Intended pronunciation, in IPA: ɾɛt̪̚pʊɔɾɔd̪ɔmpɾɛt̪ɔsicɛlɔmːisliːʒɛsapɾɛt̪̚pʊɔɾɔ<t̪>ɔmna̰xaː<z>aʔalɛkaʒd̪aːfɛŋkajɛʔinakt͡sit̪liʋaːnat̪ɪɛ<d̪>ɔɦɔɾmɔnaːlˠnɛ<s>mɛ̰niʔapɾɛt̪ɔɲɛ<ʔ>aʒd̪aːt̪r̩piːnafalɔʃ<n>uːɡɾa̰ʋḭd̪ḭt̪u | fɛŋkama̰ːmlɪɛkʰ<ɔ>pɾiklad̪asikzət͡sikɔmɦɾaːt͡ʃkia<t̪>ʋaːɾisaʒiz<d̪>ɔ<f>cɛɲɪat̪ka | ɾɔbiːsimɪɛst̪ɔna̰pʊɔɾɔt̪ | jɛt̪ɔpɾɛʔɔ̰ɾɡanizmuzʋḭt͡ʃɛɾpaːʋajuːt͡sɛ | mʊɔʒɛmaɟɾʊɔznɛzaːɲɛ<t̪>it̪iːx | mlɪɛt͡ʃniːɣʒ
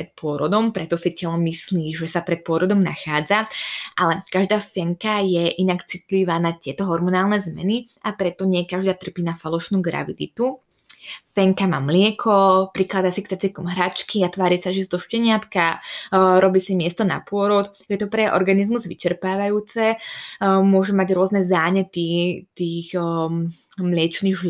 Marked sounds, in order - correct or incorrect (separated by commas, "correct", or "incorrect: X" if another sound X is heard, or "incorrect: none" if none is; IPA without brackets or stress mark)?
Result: incorrect: d̪, incorrect: d͡z, incorrect: t̪, incorrect: z, incorrect: k, correct, correct, correct, correct, incorrect: ʃ, correct